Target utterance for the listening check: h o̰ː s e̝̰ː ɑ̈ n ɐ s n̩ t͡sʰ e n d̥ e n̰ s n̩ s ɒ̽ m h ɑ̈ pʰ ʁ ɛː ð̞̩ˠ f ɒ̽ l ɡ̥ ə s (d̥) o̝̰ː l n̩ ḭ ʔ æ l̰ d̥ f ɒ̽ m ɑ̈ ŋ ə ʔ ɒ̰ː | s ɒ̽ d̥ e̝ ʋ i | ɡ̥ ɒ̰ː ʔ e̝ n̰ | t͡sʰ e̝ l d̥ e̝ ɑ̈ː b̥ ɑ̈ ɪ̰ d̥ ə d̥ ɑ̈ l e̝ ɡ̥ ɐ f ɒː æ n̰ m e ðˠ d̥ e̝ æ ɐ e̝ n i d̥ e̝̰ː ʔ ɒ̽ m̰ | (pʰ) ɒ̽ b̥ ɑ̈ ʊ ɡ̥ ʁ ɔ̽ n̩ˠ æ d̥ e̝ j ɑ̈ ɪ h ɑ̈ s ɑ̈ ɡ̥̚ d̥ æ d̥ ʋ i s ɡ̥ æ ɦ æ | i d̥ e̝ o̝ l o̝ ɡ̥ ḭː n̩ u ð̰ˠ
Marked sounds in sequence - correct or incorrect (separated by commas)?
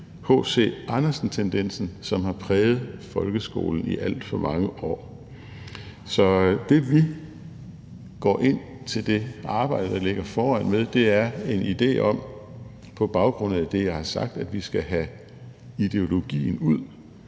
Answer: incorrect, correct